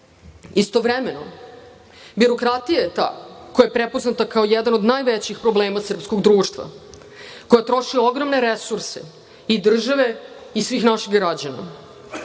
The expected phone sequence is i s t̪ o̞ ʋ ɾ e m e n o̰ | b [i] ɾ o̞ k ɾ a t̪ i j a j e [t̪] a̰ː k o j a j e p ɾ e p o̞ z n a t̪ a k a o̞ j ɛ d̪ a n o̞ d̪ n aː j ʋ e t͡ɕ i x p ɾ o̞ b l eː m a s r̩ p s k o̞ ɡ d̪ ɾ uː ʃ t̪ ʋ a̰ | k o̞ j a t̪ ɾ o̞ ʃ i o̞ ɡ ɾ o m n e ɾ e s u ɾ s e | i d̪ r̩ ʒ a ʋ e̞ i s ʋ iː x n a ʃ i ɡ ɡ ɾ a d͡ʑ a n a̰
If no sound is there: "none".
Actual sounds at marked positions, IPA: i, t̪

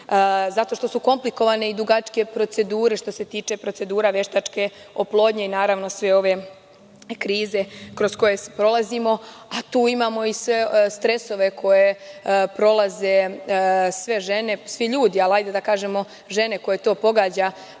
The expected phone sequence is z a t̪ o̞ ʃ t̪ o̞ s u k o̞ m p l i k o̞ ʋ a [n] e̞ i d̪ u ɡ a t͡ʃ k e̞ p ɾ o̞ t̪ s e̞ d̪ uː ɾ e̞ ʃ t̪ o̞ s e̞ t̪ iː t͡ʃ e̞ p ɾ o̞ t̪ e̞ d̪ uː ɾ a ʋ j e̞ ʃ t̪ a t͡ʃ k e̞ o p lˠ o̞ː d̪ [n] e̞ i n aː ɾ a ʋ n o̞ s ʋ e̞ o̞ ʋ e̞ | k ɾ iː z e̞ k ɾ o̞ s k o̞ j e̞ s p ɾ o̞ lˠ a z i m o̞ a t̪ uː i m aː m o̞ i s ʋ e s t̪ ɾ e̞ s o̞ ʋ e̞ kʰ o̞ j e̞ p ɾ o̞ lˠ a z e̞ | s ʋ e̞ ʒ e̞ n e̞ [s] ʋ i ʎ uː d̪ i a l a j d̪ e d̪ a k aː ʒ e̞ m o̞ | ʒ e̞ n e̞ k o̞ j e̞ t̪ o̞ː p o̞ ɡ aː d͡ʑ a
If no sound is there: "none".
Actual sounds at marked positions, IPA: n, ɲ, s

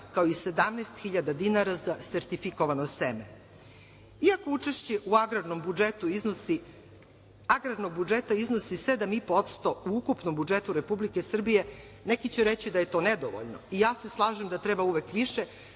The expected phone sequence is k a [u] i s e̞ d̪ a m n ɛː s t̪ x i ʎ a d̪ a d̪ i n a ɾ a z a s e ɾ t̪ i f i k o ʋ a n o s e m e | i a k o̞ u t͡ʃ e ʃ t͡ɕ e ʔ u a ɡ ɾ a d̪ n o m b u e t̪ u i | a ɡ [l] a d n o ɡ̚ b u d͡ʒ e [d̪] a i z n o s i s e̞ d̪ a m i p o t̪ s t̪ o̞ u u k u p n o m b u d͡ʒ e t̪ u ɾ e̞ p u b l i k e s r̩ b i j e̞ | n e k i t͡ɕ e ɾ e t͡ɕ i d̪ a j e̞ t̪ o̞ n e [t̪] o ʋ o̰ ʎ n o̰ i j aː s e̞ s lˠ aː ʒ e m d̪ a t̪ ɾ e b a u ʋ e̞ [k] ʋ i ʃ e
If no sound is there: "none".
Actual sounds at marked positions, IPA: o, ɾ, t̪, d̪, k

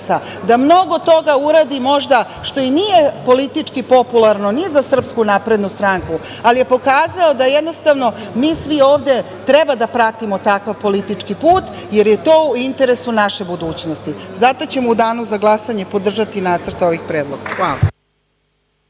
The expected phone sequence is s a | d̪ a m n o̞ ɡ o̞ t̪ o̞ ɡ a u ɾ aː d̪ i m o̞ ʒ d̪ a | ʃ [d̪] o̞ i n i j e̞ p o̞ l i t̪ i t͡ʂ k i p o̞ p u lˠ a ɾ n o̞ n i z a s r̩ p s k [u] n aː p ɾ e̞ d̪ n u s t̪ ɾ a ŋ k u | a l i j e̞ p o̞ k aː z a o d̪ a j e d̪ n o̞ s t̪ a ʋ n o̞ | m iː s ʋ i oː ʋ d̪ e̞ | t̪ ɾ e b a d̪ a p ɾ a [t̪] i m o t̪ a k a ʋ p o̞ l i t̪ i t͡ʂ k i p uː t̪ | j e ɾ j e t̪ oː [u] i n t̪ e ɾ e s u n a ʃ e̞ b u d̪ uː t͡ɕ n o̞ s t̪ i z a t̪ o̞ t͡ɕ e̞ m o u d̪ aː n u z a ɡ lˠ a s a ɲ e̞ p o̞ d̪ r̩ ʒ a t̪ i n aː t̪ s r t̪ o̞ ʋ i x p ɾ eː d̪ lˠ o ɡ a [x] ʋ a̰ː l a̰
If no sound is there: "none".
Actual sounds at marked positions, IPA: t̪, u, t̪, u, x

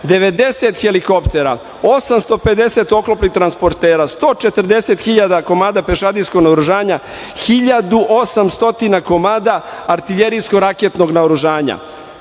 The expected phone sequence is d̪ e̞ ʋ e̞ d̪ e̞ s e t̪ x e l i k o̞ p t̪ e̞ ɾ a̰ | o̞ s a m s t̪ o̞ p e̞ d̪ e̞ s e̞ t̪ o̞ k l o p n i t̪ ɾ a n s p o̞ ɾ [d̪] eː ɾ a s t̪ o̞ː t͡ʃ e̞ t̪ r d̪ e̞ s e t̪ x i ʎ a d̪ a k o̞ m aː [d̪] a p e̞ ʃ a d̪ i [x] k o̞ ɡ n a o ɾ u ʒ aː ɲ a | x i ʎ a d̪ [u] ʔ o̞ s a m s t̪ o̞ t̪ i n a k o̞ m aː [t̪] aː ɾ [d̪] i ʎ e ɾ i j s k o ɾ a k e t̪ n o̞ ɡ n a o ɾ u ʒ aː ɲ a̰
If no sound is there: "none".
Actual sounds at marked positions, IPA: t̪, d̪, s, u, d̪, t̪

